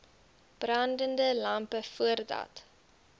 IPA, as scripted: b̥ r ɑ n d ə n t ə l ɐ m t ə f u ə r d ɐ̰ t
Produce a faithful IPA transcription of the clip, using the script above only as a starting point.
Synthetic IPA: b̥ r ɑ n d ə n d ə l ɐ m p ə f u ə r d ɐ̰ t